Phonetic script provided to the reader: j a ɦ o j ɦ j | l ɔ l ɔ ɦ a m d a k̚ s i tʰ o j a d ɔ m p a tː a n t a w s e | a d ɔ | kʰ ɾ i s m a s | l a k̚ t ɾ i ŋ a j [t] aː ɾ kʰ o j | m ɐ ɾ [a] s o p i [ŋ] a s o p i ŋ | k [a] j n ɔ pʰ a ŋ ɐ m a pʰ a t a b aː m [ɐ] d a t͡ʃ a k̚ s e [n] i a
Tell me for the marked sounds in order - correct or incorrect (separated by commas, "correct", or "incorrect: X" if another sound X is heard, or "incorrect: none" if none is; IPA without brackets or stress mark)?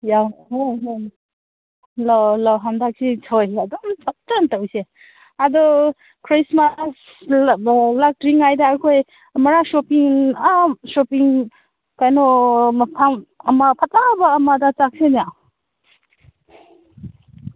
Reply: incorrect: d, correct, correct, correct, incorrect: a, correct